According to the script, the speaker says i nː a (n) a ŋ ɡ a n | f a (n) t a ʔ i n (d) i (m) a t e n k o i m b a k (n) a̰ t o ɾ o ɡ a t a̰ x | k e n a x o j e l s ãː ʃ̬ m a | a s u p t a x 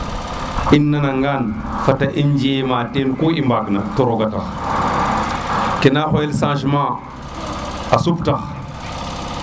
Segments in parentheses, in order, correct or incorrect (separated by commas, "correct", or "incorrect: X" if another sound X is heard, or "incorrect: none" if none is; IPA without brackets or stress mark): correct, incorrect: none, incorrect: d͡ʒ, correct, correct